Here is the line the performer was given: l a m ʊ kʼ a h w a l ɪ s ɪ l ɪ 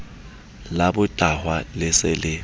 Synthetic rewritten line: l a b ʊ tʼ a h w a l ɪ s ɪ l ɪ